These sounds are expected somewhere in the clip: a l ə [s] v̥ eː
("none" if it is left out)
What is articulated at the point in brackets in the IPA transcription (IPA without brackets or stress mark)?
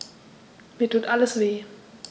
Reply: s